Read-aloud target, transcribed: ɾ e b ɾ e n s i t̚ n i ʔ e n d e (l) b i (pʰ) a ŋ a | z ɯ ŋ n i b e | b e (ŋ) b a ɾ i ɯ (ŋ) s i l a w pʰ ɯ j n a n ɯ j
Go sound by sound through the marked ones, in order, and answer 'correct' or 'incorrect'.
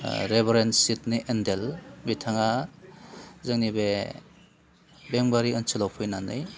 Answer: correct, incorrect: tʰ, correct, incorrect: n

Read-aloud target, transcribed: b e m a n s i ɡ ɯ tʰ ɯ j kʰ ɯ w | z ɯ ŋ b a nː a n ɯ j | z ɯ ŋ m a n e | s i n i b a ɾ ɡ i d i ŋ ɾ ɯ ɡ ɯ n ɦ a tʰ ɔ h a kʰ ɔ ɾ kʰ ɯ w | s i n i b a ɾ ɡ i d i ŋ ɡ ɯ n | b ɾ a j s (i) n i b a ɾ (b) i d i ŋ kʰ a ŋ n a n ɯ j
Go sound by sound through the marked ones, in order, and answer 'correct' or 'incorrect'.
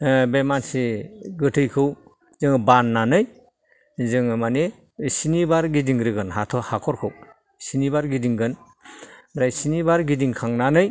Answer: correct, incorrect: ɡ

